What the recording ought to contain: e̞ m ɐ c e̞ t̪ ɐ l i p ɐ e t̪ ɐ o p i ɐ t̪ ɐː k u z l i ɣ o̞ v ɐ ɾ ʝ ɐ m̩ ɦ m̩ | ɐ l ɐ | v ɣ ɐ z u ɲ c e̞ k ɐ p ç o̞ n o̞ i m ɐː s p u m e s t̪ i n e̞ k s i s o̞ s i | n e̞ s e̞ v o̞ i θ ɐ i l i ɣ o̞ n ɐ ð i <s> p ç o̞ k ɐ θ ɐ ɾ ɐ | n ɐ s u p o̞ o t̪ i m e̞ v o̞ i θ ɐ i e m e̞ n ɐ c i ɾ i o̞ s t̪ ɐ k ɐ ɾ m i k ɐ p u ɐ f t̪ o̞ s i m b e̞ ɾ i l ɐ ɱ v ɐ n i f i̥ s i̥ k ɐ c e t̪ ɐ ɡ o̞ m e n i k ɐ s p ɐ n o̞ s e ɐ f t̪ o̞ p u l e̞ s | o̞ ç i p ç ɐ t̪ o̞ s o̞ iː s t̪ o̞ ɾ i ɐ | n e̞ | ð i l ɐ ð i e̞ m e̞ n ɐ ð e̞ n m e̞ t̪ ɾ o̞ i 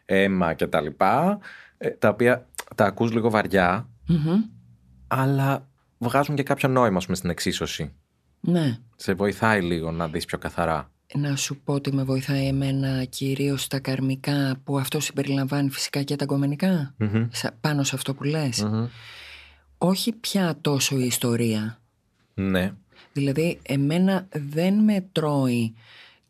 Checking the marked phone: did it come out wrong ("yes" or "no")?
no